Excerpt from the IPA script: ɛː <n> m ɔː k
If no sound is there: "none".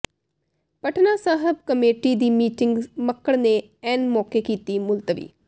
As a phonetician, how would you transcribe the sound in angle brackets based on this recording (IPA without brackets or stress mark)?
n